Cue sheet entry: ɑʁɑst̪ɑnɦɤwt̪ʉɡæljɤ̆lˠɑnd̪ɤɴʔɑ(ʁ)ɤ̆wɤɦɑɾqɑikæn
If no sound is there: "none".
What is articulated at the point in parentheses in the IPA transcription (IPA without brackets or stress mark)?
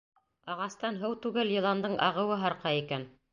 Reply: ʁ